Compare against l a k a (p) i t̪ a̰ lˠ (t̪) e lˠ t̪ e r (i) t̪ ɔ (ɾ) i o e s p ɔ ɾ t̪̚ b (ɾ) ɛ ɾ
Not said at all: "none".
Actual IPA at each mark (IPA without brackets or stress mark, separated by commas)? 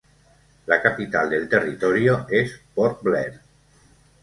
p, d̪, i, ɾ, l